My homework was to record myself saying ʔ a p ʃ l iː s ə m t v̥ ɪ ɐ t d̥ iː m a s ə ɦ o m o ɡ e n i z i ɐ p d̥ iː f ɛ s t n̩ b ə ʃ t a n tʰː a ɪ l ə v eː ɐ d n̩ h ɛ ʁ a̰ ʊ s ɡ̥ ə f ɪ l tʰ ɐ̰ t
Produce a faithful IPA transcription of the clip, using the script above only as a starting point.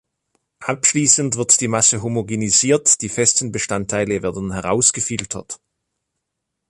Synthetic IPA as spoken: ʔ a p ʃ l iː s ə n t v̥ ɪ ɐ t d̥ iː m a s ə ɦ o m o ɡ e n i z iː ɐ t d̥ iː f ɛ s t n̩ b ə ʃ t a n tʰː a ɪ l ə v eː ɐ d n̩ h ɛ ʁ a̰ ʊ s ɡ̥ ə f ɪ l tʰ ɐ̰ t